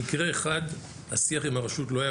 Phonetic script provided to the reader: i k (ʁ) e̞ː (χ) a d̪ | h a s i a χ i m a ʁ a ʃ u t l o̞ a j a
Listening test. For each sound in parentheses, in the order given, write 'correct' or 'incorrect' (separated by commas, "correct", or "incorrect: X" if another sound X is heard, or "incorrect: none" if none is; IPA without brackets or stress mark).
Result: correct, correct